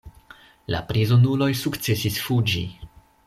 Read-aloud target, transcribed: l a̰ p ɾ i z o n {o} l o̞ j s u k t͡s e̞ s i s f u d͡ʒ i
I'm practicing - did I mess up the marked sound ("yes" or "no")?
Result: yes